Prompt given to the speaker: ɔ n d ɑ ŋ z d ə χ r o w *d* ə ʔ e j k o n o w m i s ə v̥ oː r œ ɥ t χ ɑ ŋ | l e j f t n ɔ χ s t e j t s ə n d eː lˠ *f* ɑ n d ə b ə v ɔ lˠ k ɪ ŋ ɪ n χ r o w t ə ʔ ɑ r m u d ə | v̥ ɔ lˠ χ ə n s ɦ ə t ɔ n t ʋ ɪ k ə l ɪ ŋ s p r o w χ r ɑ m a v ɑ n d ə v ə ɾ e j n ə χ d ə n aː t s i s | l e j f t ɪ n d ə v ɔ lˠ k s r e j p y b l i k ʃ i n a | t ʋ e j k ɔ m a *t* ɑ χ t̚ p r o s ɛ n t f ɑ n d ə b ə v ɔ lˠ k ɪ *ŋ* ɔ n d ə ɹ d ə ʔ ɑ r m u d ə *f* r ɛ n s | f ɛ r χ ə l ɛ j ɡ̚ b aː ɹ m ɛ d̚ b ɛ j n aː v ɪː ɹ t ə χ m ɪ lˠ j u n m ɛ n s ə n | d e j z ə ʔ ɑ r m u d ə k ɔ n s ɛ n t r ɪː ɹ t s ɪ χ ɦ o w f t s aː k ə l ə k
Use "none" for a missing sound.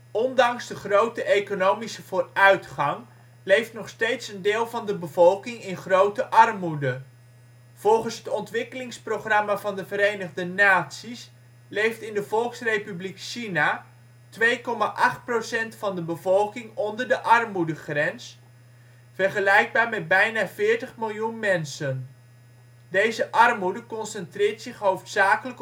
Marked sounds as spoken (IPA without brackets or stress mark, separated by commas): t, v, ʔ, ŋ, χ